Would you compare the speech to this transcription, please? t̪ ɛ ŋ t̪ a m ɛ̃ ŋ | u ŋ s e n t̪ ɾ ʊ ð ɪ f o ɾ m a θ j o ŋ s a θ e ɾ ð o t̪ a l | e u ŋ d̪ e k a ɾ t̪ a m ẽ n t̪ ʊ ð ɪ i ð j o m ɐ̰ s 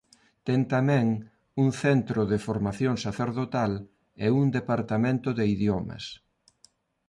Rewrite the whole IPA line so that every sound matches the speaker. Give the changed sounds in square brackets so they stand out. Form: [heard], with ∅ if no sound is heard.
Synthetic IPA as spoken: t̪ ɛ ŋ t̪ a m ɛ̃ ŋ | u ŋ [θ] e n t̪ ɾ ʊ ð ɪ f o ɾ m a θ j o ŋ s a θ e ɾ ð o t̪ a l | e u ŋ d̪ e [p] a ɾ t̪ a m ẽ n t̪ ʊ ð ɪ i ð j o m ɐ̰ s